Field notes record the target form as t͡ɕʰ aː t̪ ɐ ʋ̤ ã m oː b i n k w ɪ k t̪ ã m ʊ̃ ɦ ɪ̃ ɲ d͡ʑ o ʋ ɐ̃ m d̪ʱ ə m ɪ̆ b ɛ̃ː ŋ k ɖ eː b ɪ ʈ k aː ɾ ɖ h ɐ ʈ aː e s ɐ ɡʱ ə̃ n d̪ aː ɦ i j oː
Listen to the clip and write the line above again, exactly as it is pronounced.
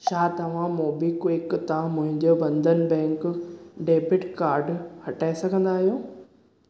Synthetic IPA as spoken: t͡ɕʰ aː t̪ ɐ ʋ̤ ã m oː b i k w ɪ k t̪ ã m ʊ̃ ɦ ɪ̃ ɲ d͡ʑ o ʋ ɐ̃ n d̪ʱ ə n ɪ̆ b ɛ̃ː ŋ k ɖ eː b ɪ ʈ k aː ɾ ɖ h ɐ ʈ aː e s ɐ ɡʱ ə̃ n d̪ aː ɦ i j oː